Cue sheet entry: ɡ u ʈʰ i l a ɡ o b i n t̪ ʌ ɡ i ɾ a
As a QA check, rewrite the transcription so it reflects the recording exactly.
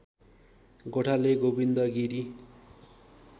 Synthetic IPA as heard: ɡ o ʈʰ a l e ɡ o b i n d̪ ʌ ɡ i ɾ i